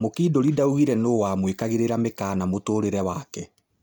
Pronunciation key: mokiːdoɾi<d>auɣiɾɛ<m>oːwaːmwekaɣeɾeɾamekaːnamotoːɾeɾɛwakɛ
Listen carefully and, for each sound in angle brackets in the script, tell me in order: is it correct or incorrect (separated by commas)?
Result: correct, incorrect